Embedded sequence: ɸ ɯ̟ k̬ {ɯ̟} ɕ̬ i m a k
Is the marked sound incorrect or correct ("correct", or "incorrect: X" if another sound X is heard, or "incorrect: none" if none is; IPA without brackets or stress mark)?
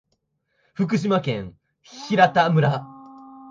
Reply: correct